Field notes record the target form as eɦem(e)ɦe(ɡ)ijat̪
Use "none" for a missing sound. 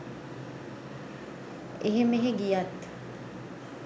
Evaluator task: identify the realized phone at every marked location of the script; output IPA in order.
e, ɡ

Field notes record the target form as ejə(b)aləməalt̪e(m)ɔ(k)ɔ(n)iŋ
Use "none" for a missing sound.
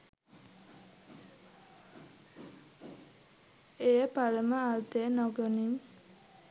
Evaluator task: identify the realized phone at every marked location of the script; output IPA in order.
p, n, ɡ, n

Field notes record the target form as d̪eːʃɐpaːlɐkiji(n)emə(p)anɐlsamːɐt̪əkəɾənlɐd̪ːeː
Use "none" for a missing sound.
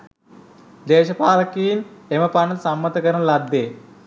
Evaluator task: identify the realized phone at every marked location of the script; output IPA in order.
n, p

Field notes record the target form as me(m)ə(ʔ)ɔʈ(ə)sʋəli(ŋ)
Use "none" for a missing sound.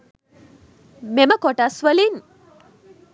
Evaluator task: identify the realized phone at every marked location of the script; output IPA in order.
m, k, a, n

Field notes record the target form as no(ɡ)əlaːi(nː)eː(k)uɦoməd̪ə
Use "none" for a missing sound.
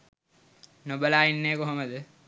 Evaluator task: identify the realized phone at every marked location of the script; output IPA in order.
b, nː, k

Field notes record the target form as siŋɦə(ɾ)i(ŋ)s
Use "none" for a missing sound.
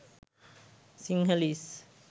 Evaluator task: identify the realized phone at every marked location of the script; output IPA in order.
l, none

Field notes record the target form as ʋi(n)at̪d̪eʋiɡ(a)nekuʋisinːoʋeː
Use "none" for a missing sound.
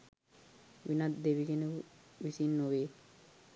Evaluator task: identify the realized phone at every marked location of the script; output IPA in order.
n, e

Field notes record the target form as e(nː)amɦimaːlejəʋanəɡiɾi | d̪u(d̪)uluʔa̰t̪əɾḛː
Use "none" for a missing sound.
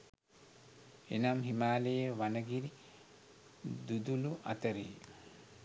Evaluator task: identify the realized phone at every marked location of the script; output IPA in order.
n, d̪

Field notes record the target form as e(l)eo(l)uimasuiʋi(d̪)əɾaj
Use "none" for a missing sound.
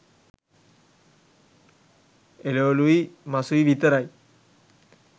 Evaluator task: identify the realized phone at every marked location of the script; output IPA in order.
l, l, t̪

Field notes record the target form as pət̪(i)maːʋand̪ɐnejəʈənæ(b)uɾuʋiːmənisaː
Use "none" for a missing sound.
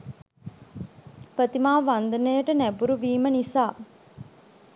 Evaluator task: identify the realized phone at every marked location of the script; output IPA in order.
i, b

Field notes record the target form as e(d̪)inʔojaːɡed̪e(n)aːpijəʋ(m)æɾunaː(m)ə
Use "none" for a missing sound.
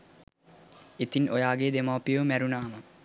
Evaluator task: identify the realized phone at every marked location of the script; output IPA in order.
t̪, m, m, m

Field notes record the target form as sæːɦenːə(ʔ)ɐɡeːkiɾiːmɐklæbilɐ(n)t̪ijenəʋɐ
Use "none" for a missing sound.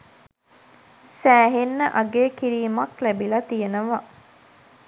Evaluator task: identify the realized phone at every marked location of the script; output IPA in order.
ʔ, none

